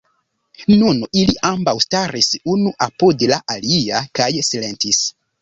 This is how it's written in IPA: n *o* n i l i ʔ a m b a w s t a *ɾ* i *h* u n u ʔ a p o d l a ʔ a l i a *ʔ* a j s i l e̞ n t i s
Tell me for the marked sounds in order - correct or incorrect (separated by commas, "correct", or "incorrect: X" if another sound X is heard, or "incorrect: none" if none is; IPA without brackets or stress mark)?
incorrect: u, correct, incorrect: s, incorrect: k